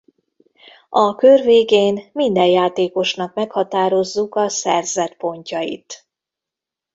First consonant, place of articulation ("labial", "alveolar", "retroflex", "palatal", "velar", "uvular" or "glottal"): velar